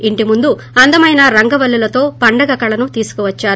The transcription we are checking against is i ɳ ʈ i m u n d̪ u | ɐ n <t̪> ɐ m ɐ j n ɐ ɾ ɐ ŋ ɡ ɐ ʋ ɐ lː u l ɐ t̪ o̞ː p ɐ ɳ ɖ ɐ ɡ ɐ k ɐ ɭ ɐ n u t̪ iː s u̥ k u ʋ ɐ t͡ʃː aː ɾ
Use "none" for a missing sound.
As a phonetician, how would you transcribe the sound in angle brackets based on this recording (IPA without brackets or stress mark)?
d̪